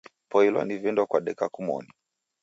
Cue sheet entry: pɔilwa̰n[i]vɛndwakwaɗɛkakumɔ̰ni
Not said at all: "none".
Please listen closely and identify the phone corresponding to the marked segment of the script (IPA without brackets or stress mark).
i